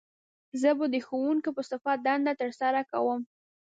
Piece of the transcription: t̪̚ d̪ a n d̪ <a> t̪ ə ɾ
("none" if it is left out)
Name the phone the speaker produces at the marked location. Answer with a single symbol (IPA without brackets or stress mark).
a